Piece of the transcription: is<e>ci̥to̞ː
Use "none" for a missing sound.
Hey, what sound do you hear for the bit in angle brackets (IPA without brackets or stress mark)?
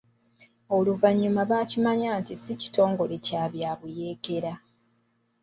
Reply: i